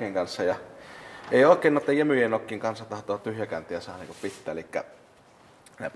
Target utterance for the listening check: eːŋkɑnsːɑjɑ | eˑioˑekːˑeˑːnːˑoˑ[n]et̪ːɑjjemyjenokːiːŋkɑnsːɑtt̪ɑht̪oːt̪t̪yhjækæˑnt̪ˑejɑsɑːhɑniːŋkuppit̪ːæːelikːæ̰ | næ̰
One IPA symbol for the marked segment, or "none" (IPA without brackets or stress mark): none